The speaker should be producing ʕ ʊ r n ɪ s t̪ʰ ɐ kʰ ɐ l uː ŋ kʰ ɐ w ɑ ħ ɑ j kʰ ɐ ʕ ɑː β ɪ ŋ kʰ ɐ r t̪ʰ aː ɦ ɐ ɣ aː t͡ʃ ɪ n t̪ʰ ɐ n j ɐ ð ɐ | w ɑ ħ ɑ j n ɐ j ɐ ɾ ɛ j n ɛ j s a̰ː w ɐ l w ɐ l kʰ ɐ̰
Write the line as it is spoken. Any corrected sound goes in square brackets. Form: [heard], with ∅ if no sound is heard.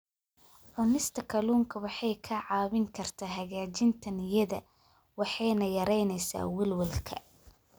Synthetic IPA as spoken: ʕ ʊ [∅] n ɪ s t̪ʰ ɐ kʰ ɐ l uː ŋ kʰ ɐ w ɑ ħ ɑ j kʰ ɐ ʕ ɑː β ɪ ŋ kʰ ɐ r t̪ʰ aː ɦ ɐ ɣ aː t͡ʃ ɪ n t̪ʰ ɐ n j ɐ ð ɐ | w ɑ ħ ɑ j n ɐ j ɐ ɾ ɛ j n ɛ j s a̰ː w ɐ l w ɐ l kʰ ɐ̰